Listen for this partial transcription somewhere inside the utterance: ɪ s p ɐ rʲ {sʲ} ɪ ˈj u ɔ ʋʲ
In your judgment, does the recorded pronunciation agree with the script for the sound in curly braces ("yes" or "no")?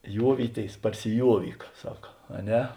yes